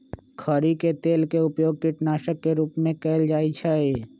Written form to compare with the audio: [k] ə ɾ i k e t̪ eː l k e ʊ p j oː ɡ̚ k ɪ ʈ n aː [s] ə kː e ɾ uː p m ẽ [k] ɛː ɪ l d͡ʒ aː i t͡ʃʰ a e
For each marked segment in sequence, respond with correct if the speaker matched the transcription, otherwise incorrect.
incorrect, incorrect, correct

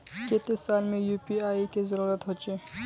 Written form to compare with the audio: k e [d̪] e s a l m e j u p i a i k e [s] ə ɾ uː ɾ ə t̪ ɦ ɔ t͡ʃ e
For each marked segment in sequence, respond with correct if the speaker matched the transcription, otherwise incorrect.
incorrect, incorrect

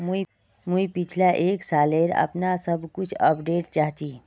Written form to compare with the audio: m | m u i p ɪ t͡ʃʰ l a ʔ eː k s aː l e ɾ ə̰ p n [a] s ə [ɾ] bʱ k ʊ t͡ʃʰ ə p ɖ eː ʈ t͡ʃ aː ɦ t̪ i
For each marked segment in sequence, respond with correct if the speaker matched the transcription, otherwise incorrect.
correct, incorrect

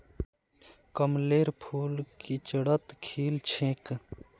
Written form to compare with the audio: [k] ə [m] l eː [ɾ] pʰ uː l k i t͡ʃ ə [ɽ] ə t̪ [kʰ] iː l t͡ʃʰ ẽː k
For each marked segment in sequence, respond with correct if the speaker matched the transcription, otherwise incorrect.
correct, correct, correct, correct, correct

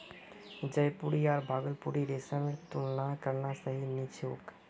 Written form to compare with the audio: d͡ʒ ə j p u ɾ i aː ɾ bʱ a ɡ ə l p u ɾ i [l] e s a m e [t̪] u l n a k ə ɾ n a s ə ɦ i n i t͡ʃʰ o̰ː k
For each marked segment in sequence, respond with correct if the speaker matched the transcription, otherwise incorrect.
incorrect, correct

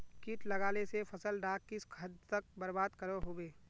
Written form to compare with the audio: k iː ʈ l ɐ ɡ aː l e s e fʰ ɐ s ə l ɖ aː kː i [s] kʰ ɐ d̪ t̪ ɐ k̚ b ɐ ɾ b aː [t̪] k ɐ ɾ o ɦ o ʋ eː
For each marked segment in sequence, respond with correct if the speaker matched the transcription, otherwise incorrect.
correct, incorrect

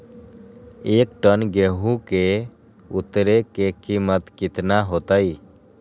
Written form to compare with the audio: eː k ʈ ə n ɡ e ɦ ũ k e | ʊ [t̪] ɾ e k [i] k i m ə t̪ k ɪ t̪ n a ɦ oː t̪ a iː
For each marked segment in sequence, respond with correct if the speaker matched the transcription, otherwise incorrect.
correct, incorrect

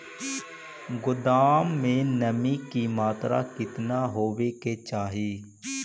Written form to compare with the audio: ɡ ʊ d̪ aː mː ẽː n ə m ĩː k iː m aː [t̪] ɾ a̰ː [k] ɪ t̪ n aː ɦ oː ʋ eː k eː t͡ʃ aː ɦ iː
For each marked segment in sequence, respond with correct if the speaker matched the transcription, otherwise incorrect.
correct, correct

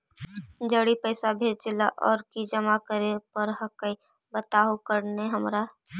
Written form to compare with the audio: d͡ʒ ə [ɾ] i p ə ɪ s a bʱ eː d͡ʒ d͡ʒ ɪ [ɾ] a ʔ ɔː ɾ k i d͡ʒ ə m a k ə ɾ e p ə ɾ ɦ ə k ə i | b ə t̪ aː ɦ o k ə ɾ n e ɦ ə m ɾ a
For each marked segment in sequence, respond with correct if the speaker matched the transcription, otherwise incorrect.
incorrect, incorrect

